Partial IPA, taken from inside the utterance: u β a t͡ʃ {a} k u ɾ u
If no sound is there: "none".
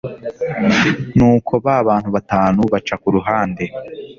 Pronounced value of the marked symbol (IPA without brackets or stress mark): a